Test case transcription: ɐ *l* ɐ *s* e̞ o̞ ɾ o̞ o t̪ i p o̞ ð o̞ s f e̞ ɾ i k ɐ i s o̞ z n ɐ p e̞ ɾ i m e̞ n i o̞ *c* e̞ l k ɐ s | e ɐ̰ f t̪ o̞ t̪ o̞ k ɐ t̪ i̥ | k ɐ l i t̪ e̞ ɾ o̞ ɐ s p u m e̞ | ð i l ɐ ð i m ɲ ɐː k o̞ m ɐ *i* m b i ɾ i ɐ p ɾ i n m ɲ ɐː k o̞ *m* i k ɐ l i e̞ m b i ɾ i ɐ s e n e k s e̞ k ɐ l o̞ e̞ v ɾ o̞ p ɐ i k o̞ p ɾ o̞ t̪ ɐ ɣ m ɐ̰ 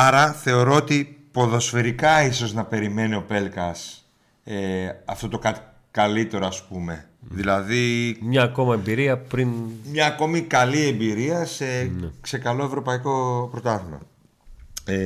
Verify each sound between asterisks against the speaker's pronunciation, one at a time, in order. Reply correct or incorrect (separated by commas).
incorrect, incorrect, incorrect, incorrect, correct